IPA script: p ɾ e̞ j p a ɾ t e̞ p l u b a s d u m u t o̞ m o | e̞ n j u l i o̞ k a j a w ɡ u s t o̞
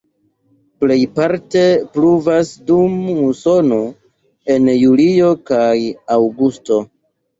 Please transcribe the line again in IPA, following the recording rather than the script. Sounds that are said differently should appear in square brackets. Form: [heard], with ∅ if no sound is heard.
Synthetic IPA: p [l] e̞ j p a ɾ t e̞ p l u [v] a s d u m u [s] o̞ [n] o | e̞ n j u l i o̞ k a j a w ɡ u s t o̞